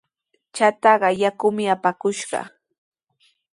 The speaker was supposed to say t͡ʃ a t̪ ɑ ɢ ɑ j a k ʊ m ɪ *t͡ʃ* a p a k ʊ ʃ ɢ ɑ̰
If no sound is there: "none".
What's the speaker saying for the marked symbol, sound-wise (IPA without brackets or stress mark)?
none